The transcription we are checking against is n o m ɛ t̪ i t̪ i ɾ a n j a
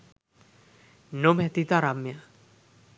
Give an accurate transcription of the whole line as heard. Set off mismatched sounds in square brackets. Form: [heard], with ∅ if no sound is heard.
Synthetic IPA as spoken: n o m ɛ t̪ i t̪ [a] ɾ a [m] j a